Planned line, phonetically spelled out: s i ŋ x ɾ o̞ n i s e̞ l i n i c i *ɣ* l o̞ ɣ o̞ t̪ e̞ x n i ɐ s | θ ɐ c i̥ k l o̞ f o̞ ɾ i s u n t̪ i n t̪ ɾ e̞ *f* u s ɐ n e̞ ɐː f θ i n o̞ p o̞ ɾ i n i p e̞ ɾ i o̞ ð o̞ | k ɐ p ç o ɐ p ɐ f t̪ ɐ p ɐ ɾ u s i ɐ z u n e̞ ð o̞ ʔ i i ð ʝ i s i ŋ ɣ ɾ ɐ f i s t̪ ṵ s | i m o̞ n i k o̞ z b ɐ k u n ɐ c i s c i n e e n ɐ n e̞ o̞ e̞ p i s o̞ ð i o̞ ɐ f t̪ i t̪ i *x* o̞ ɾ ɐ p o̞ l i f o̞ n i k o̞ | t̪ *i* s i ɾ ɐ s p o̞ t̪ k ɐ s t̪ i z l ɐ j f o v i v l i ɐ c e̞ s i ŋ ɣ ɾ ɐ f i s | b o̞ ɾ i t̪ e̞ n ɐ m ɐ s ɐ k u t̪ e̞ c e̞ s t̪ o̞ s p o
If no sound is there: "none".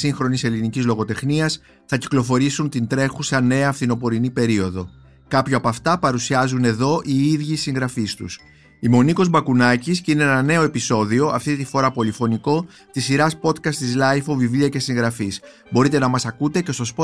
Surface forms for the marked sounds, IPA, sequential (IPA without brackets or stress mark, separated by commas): z, x, f, i